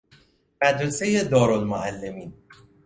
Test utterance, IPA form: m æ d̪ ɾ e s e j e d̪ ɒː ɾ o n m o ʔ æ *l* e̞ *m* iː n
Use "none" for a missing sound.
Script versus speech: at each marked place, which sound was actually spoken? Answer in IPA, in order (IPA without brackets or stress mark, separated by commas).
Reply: lː, m